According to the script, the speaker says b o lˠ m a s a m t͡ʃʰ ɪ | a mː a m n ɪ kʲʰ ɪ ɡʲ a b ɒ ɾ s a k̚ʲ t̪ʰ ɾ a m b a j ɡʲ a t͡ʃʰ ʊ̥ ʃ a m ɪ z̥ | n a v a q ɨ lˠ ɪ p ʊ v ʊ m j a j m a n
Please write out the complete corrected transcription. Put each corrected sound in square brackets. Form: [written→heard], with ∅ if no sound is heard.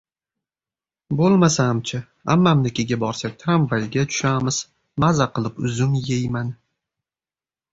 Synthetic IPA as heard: b o lˠ m a s a m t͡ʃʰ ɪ | a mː a m n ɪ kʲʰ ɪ ɡʲ a b ɒ ɾ s a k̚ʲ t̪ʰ ɾ a m [b→v] a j ɡʲ a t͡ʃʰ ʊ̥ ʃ a m ɪ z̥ | [n→m] a [v→z] a q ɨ lˠ ɪ p ʊ [v→z] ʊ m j [a→e] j m a n

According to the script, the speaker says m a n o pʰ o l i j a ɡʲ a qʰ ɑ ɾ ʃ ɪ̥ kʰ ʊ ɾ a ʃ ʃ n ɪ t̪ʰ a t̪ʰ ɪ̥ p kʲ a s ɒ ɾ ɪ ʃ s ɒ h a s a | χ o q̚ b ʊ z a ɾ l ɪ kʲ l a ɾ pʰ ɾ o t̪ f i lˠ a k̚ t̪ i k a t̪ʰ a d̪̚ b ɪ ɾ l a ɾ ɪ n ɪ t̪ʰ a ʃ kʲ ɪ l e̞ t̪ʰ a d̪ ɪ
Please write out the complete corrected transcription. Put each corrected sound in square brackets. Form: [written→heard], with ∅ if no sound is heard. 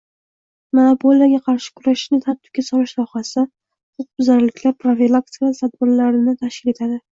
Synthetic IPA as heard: m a n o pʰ o l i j a ɡʲ a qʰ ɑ ɾ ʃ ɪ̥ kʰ ʊ ɾ a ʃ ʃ n ɪ t̪ʰ a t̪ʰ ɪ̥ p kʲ a s ɒ ɾ ɪ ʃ s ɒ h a s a | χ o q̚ b ʊ z a ɾ l ɪ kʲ l a ɾ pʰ ɾ o [t̪→∅] f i lˠ a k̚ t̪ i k a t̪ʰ a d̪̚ b ɪ ɾ l a ɾ ɪ n ɪ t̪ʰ a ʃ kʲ ɪ l e̞ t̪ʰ a d̪ ɪ

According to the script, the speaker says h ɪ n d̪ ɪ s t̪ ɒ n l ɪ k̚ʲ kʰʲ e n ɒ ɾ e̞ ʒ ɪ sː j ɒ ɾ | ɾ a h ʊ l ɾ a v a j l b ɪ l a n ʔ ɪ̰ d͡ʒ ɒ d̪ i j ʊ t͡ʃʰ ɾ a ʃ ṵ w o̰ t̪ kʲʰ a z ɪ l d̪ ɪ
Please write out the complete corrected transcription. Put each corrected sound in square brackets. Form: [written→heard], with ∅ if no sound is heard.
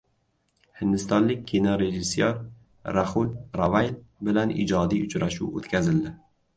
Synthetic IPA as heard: h ɪ n d̪ ɪ s t̪ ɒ n l ɪ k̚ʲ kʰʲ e n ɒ ɾ e̞ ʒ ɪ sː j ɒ ɾ | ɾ a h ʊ l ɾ a v a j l b ɪ l a n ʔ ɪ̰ d͡ʒ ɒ d̪ i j ʊ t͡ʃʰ ɾ a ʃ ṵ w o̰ t̪ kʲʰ a z ɪ l d̪ ɪ

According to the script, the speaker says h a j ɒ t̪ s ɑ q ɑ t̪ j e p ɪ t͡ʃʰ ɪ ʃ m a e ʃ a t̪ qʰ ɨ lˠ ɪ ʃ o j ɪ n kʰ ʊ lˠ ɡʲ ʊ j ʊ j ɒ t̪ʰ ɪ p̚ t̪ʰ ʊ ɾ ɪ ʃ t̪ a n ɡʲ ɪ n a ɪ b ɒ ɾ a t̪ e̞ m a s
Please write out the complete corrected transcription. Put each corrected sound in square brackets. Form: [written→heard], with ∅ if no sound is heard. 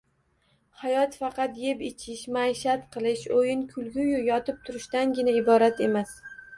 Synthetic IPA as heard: h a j ɒ t̪ [s→f] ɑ q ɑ t̪ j e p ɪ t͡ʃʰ ɪ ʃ m a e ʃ a t̪ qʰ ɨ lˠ ɪ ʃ o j ɪ n kʰ ʊ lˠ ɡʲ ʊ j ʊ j ɒ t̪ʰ ɪ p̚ t̪ʰ ʊ ɾ ɪ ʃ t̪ a n ɡʲ ɪ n a ɪ b ɒ ɾ a t̪ e̞ m a s

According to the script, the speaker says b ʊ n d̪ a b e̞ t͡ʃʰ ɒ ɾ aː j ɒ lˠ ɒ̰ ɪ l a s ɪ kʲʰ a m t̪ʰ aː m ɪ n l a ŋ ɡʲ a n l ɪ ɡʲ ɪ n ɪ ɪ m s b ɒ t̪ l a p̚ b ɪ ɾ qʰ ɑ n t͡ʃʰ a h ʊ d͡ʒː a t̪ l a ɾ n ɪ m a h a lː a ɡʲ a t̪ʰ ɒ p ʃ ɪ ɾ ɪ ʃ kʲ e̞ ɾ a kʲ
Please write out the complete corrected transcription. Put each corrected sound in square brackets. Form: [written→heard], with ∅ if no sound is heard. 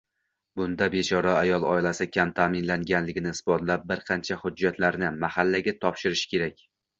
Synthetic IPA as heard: b ʊ n d̪ a b e̞ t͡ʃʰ ɒ ɾ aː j ɒ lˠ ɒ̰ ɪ l a s ɪ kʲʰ a m t̪ʰ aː m ɪ n l a ŋ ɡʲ a n l ɪ ɡʲ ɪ n ɪ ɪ [m→∅] s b ɒ t̪ l a p̚ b ɪ ɾ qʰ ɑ n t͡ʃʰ a h ʊ d͡ʒː a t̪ l a ɾ n ɪ m a h a lː a ɡʲ a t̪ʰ ɒ p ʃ ɪ ɾ ɪ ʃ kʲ e̞ ɾ a kʲ

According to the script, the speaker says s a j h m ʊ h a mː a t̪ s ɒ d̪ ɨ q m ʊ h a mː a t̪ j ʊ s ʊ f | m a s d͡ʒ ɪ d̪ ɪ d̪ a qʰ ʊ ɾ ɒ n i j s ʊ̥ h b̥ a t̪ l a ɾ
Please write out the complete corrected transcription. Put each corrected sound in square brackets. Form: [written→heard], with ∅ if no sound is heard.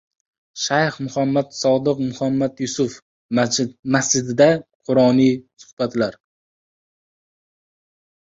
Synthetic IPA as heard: [s→ʃ] a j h m ʊ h a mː a t̪ s ɒ d̪ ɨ q m ʊ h a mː a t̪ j ʊ s ʊ f | m a s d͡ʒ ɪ d̪ ɪ d̪ a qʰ ʊ ɾ ɒ n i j s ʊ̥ h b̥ a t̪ l a ɾ

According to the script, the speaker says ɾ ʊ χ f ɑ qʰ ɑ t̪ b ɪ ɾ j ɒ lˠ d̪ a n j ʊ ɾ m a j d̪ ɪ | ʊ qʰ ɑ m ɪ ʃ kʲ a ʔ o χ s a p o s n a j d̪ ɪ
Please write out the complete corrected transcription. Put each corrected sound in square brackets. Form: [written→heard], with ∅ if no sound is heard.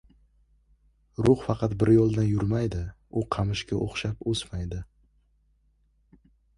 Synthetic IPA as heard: ɾ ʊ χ f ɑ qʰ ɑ t̪ b ɪ ɾ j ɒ lˠ d̪ a n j ʊ ɾ m a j d̪ ɪ | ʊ qʰ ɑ m ɪ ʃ kʲ a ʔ o χ [s→ʃ] a p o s [n→m] a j d̪ ɪ

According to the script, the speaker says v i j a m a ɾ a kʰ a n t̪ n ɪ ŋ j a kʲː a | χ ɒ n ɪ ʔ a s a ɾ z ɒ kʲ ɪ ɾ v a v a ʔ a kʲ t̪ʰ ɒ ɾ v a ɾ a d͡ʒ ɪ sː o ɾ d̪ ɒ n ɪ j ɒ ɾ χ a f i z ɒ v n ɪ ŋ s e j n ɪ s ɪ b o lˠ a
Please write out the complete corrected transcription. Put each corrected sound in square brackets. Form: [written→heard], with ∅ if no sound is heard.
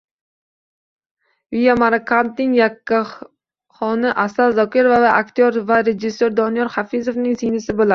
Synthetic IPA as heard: v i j a m a ɾ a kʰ a n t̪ n ɪ ŋ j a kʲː a | χ ɒ n ɪ ʔ a s a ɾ z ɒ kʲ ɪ ɾ v a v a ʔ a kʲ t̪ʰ [ɒ→o] ɾ v a ɾ [a→e] d͡ʒ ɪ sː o ɾ d̪ ɒ n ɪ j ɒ ɾ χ a f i z [ɒ→o] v n ɪ ŋ s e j n ɪ s ɪ b o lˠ a

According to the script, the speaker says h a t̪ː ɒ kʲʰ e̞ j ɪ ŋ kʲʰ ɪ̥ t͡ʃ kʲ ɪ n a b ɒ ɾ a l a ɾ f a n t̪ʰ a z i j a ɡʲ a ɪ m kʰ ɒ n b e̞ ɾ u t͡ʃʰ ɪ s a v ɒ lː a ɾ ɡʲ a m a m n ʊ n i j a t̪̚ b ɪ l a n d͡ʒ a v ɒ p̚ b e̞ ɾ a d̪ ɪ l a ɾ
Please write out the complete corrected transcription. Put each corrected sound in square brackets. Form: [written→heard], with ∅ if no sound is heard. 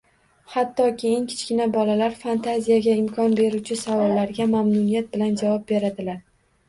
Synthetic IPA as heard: h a t̪ː ɒ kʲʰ e̞ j ɪ ŋ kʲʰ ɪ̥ t͡ʃ kʲ ɪ n a b ɒ [ɾ→l] a l a ɾ f a n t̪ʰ a z i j a ɡʲ a ɪ m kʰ ɒ n b e̞ ɾ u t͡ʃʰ ɪ s a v ɒ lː a ɾ ɡʲ a m a m n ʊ n i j a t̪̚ b ɪ l a n d͡ʒ a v ɒ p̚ b e̞ ɾ a d̪ ɪ l a ɾ

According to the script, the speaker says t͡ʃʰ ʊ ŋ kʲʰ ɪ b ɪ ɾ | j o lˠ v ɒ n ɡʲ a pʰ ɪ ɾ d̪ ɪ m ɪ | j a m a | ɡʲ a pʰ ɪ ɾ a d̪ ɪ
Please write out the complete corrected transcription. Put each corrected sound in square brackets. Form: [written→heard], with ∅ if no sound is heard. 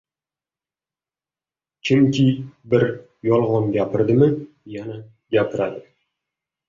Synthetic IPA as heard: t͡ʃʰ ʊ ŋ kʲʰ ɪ b ɪ ɾ | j [o→ɒ] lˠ [v→ʁ] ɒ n ɡʲ a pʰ ɪ ɾ d̪ ɪ m ɪ | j a [m→n] a | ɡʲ a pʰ ɪ ɾ a d̪ ɪ

